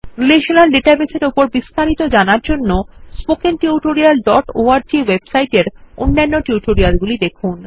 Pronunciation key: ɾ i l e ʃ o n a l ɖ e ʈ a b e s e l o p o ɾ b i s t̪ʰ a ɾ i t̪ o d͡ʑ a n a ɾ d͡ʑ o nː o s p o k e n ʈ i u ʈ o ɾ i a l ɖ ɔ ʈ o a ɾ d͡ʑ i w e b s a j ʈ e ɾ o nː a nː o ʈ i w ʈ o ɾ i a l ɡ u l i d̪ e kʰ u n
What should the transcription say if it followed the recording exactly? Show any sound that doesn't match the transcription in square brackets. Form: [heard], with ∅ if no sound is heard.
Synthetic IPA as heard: ɾ i l e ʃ o n a l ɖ e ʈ a b e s e [ɾ] o p o ɾ b i s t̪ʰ a ɾ i t̪ o d͡ʑ a n a ɾ d͡ʑ o nː o s p o k e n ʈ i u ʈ o ɾ i a l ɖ ɔ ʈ o a ɾ d͡ʑ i w e b s a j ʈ e ɾ o nː a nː o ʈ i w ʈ o ɾ i a l ɡ u l i d̪ e kʰ u n